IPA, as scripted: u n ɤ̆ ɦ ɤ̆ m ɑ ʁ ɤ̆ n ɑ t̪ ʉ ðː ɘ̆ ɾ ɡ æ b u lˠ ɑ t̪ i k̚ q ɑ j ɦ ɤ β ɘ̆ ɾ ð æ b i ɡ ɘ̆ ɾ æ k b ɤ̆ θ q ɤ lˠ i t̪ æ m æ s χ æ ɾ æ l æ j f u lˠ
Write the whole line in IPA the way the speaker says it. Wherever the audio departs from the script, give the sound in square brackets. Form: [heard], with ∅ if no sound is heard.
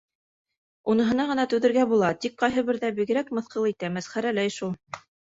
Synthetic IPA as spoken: u n ɤ̆ ɦ ɤ̆ [n] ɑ ʁ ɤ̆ n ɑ t̪ ʉ [ð] ɘ̆ ɾ ɡ æ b u lˠ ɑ t̪ i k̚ q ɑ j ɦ ɤ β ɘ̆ ɾ ð æ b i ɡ ɘ̆ ɾ æ k [m] ɤ̆ θ q ɤ lˠ i t̪ æ m æ s χ æ ɾ æ l æ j [ʃ] u lˠ